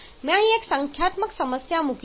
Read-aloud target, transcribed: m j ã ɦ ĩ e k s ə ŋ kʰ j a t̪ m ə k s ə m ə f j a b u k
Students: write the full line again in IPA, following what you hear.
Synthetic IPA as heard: m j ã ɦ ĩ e k s ə ŋ kʰ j a t̪ m ə k s ə m ə s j a m u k